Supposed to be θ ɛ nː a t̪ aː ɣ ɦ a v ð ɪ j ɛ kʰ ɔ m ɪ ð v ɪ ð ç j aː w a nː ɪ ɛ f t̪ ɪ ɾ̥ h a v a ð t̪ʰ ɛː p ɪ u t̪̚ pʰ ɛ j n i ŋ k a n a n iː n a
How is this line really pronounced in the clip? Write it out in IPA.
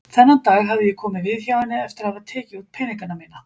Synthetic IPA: θ ɛ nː a t̪ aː ɣ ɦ a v ð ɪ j ɛ kʰ ɔː m ɪ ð v ɪ ð ç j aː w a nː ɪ ɛ f t̪ ɪ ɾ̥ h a v a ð t̪ʰ ɛː c ɪ u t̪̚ pʰ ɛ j n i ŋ k a n a m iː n a